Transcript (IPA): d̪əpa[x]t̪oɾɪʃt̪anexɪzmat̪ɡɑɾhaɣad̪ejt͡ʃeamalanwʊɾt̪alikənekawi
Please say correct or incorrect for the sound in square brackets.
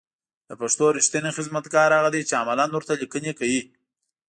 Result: incorrect: ʂ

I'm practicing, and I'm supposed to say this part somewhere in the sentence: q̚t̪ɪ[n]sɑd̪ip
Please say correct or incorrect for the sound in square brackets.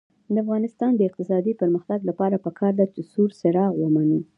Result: incorrect: none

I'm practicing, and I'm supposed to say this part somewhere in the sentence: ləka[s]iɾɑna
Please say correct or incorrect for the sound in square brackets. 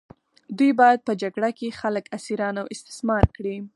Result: correct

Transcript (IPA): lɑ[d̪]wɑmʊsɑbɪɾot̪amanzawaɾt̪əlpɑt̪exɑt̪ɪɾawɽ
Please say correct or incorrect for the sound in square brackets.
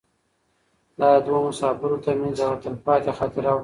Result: correct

